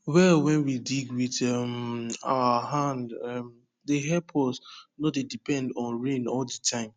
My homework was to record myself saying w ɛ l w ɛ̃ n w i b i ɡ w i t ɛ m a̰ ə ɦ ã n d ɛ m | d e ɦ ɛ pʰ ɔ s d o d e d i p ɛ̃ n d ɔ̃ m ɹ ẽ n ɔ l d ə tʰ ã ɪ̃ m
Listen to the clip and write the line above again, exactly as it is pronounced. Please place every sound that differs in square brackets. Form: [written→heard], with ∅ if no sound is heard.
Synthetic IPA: w ɛ l w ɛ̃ n w i [b→d] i ɡ w i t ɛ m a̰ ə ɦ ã n d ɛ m | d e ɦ ɛ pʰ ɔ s [d→n] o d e d i p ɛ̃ n d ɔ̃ [m→n] ɹ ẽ n ɔ l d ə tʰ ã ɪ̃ m